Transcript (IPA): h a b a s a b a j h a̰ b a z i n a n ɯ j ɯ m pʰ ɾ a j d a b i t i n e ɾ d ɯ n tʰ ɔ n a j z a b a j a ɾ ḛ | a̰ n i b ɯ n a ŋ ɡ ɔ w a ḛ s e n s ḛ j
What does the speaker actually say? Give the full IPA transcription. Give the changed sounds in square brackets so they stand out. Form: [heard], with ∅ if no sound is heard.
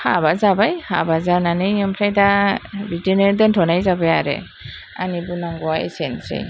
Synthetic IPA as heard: h a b a [z] a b a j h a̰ b a z [a] n a n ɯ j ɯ m pʰ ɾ a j d a b i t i n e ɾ d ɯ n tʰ ɔ n a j z a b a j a ɾ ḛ | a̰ n i b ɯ n a ŋ ɡ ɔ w a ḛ s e n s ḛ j